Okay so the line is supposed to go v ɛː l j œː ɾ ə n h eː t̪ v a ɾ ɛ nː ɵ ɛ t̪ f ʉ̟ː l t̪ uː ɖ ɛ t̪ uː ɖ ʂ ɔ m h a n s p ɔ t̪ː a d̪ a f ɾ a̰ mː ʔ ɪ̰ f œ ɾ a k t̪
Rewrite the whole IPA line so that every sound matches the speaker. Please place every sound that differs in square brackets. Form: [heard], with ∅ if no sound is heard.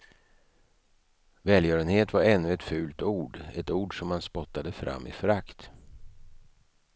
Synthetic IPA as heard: v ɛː l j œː ɾ ə n h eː t̪ v a ɾ ɛ nː ɵ ɛ t̪ f ʉ̟ː l t̪ uː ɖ ɛ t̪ uː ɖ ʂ ɔ m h a n s p ɔ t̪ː a d̪ [ə] f ɾ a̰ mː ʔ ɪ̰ f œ ɾ a k t̪